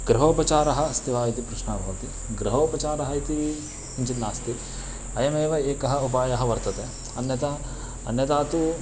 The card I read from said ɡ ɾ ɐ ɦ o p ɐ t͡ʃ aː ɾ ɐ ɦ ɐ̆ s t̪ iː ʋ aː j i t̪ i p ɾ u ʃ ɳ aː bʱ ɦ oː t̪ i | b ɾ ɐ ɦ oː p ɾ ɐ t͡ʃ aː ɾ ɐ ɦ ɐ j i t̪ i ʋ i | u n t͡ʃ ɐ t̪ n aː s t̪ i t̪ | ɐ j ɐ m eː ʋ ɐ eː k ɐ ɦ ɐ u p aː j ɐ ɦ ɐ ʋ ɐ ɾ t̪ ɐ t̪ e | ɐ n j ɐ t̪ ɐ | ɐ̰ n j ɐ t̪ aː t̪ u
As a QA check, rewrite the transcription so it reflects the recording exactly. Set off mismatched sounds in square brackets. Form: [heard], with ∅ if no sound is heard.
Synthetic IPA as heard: ɡ ɾ ɐ ɦ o p ɐ t͡ʃ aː ɾ ɐ ɦ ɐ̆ s t̪ [i] ʋ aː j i t̪ i p ɾ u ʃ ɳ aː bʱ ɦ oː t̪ i | [ɡ] ɾ ɐ ɦ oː p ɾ ɐ t͡ʃ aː ɾ ɐ ɦ ɐ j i t̪ i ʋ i | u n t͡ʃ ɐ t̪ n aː s t̪ i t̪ | ɐ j ɐ m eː ʋ ɐ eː k ɐ ɦ ɐ u p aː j ɐ ɦ ɐ ʋ ɐ ɾ t̪ ɐ t̪ e | ɐ n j ɐ t̪ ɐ | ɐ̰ n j ɐ t̪ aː t̪ u